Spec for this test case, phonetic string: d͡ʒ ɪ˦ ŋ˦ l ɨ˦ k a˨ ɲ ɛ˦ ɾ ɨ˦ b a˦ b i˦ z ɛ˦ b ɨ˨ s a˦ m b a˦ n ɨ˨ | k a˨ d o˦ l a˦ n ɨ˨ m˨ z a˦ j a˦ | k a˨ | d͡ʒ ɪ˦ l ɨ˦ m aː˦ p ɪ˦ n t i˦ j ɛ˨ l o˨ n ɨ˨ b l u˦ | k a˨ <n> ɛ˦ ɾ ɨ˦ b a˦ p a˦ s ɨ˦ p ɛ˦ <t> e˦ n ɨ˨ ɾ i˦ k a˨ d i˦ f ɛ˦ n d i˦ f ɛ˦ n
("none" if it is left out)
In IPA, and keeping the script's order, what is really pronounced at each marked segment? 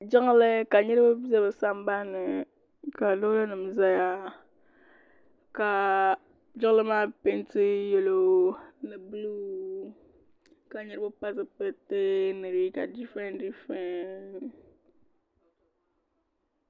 ɲ, t

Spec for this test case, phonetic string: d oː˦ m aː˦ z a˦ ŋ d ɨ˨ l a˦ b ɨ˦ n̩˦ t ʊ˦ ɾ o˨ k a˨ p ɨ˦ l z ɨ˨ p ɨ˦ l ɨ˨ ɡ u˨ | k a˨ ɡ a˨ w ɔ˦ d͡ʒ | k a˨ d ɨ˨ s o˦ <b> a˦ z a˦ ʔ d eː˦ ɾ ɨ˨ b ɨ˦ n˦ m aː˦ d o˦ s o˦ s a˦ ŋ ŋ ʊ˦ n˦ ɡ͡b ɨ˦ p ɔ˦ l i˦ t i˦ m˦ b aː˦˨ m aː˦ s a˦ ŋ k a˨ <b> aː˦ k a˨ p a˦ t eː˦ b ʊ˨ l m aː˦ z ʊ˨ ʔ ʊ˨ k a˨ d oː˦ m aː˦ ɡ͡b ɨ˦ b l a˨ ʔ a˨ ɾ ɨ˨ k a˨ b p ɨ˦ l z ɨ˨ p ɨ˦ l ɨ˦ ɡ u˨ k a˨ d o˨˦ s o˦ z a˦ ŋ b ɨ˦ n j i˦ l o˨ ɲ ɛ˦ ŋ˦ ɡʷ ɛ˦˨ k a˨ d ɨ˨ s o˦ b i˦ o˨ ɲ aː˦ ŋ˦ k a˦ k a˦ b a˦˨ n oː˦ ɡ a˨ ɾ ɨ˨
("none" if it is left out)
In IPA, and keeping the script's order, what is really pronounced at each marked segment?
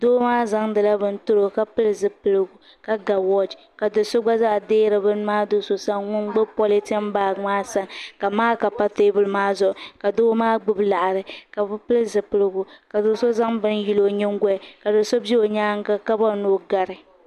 ɡ͡b, m

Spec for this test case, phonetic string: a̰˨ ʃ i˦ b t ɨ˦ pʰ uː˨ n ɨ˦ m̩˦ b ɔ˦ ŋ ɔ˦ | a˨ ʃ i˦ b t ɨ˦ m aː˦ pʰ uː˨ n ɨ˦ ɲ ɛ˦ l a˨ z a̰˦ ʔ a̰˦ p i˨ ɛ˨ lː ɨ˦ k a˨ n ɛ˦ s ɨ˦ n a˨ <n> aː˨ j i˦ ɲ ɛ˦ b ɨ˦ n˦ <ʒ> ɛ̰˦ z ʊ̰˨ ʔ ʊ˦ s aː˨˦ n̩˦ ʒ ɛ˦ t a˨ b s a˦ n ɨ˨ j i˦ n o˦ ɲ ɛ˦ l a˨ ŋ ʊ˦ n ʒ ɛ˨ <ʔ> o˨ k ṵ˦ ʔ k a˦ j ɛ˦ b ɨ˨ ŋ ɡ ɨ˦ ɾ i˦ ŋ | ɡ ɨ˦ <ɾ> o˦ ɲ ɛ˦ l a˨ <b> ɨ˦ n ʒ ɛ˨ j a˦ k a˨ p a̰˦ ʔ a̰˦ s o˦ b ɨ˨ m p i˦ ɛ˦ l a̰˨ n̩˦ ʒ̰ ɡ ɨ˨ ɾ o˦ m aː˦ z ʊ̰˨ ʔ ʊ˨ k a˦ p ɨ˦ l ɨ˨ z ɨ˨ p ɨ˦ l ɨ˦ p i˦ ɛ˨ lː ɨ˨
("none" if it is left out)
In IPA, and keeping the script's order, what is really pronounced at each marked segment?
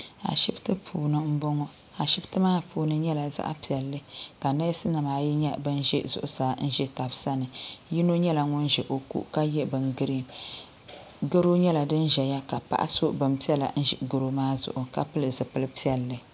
m, ʒ, ʔ, ɾ, d

